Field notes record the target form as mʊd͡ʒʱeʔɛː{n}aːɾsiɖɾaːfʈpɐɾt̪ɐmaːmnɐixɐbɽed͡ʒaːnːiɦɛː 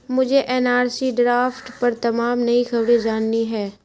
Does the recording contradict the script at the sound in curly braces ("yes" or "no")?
no